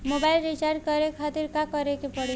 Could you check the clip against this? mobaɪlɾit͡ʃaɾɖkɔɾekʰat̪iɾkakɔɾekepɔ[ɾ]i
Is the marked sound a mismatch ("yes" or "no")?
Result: yes